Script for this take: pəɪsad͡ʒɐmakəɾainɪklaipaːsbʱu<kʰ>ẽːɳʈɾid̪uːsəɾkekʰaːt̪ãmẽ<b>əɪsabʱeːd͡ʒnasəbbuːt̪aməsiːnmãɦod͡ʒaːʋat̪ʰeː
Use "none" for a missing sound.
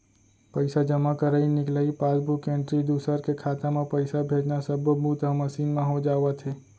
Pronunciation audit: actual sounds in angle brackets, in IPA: k, p

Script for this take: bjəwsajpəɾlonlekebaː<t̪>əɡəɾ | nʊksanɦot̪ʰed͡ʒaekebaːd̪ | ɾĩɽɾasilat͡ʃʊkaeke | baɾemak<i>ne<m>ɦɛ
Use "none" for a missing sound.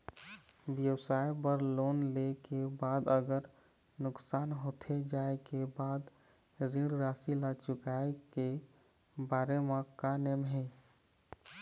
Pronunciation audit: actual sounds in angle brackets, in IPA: d̪, a, m

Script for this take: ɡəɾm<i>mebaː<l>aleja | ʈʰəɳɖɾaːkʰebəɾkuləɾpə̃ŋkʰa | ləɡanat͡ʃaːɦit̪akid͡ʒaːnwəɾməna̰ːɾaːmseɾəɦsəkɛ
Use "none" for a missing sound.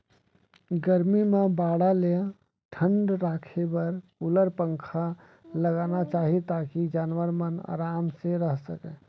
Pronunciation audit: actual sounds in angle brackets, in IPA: i, ɽ

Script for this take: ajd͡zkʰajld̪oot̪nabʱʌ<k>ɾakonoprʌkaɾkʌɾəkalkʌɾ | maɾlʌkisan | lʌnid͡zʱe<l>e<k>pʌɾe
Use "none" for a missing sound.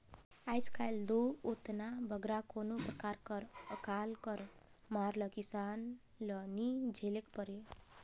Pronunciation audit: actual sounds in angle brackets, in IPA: ɡ, l, k

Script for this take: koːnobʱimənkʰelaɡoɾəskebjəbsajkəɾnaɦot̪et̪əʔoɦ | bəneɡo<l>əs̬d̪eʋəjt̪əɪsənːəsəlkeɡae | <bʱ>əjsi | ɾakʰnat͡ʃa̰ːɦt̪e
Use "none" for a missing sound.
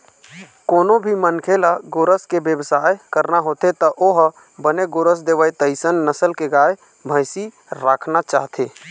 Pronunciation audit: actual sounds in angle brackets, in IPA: ɾ, bʱ

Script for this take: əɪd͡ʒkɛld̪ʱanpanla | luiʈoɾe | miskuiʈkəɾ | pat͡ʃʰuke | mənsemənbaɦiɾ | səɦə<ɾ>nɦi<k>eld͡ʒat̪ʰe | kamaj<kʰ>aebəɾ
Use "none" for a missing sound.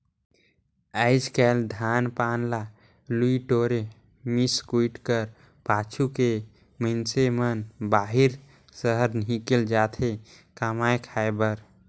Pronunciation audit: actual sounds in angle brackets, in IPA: ɾ, k, kʰ

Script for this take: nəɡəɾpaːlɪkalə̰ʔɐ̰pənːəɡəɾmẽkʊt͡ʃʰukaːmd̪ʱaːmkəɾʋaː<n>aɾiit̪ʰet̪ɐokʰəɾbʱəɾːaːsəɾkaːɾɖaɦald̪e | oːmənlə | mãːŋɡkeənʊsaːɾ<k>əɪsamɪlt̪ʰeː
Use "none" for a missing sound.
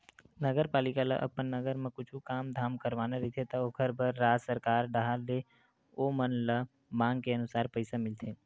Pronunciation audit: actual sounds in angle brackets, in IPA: n, p

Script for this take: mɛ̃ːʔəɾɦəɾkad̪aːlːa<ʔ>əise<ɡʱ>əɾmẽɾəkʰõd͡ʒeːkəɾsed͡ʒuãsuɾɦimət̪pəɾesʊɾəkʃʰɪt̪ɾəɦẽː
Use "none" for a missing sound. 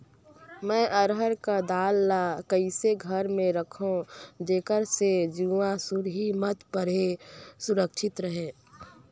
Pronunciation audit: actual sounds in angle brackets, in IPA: k, ɡʱ

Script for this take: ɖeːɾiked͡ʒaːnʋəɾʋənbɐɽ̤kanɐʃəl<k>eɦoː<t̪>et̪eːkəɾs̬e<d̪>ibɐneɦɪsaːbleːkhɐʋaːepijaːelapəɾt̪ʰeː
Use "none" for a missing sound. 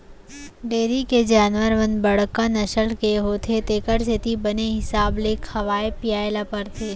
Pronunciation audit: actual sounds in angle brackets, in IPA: k, t̪ʰ, t̪

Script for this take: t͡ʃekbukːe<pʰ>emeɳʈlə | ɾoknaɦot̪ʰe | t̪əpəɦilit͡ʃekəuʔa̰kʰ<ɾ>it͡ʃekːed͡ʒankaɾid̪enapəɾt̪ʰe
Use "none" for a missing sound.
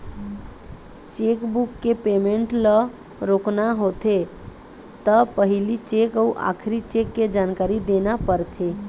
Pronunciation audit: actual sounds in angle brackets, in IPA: p, ɾ

